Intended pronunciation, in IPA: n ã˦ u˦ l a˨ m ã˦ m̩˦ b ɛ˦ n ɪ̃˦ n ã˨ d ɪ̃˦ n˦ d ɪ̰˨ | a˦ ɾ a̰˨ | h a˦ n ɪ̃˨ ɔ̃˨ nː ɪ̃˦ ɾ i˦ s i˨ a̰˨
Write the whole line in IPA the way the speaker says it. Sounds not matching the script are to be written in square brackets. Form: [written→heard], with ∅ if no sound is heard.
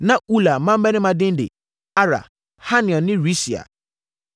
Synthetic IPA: n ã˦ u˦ l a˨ m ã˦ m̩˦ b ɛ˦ n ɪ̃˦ [n→m] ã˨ d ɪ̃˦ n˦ d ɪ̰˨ | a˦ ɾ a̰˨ | h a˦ n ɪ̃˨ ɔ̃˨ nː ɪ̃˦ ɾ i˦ s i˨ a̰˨